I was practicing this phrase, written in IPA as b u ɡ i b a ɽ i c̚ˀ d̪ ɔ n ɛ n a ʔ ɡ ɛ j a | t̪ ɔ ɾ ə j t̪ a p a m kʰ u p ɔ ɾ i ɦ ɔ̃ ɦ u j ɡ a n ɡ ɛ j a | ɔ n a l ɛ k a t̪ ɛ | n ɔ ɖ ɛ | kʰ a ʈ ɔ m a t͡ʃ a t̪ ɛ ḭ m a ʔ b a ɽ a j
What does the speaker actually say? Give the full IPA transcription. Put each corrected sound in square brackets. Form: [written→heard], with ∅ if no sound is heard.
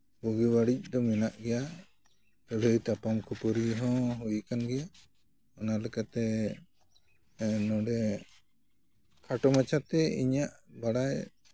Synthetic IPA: b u ɡ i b a ɽ i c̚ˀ d̪ ɔ [n→m] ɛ n a ʔ ɡ ɛ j a | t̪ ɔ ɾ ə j t̪ a p a m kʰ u p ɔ ɾ i ɦ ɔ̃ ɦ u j [ɡ→k] a n ɡ ɛ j a | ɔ n a l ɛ k a t̪ ɛ | n ɔ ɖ ɛ | kʰ a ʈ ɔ m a t͡ʃ a t̪ ɛ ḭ [m→ɲ] a ʔ b a ɽ a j